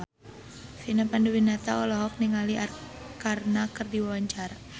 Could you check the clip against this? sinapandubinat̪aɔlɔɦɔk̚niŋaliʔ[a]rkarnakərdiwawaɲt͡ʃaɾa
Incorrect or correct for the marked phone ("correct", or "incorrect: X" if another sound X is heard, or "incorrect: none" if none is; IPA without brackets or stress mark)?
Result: correct